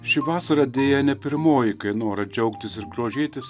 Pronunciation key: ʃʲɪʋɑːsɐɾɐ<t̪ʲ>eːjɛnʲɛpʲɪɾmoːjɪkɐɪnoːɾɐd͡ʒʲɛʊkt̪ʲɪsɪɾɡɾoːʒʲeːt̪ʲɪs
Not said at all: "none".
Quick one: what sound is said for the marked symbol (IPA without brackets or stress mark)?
d̪ʲ